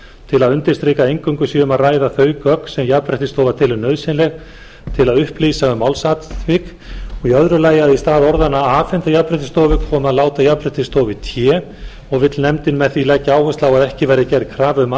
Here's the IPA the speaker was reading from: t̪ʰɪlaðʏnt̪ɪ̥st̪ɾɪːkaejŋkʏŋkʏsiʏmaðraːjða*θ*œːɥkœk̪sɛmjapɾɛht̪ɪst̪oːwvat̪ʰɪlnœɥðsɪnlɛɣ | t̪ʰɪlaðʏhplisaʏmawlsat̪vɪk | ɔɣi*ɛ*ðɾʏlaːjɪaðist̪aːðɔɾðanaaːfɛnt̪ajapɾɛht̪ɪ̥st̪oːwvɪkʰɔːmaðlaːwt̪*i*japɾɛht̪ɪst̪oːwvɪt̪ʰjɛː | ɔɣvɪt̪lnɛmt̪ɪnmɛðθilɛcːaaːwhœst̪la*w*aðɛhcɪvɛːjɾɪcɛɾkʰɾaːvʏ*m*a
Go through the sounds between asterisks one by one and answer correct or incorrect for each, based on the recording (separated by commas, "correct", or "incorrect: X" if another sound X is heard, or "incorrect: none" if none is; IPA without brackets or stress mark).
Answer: correct, incorrect: œ, incorrect: a, correct, correct